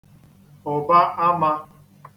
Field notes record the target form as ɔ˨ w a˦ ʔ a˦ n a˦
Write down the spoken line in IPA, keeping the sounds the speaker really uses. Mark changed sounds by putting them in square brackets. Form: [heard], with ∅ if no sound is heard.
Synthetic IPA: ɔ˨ [b] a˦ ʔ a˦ [m] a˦